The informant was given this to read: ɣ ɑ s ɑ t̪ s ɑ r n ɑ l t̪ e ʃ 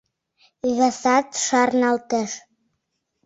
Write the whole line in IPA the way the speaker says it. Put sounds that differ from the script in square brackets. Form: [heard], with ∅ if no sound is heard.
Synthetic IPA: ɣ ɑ s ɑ t̪ [ʃ] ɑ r n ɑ l t̪ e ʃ